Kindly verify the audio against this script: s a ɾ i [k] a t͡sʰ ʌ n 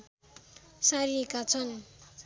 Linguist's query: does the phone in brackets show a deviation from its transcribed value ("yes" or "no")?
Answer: no